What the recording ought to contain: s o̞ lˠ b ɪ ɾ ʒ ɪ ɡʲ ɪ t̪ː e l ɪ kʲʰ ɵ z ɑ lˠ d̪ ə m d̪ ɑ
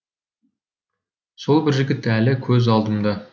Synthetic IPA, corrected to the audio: s o̞ lˠ b ɪ ɾ ʒ ɪ ɡʲ ɪ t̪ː æ l ɪ kʲʰ ɵ z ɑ lˠ d̪ ə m d̪ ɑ